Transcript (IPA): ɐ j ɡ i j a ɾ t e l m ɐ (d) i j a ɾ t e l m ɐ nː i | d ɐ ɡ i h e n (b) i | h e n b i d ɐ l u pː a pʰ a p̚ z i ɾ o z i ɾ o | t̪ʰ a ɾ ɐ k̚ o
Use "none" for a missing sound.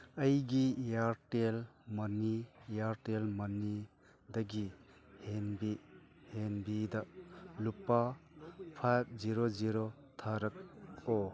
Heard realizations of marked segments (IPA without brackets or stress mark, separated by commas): n, b